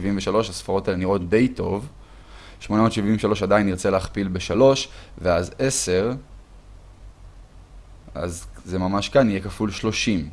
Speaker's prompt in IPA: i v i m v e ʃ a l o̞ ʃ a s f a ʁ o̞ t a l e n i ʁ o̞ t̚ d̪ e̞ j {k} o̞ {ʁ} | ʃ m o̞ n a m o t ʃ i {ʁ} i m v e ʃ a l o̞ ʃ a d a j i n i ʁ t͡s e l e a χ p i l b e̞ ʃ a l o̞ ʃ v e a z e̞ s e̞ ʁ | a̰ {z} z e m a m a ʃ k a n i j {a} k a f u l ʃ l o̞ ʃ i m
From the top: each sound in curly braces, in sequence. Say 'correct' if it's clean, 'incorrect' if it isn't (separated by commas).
incorrect, incorrect, incorrect, correct, incorrect